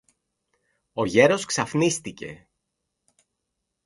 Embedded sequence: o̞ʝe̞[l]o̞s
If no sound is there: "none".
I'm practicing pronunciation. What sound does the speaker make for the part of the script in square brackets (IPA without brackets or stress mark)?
ɾ